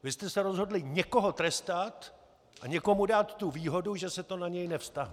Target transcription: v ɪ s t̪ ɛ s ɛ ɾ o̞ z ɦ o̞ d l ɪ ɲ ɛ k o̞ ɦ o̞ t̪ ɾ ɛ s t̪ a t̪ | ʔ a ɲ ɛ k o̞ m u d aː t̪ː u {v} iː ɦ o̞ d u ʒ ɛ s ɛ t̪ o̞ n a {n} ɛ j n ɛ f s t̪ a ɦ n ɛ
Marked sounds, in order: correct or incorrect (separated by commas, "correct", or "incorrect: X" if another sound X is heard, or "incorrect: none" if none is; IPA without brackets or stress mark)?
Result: correct, incorrect: ɲ